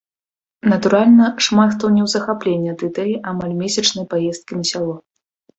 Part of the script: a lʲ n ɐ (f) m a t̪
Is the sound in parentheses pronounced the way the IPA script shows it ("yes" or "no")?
no